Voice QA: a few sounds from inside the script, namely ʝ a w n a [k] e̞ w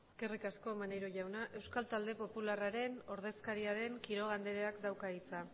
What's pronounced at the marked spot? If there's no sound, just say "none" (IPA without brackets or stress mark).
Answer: ʔ